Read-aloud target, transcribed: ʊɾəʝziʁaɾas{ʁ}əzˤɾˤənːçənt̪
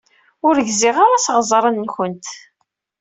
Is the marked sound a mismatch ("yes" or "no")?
no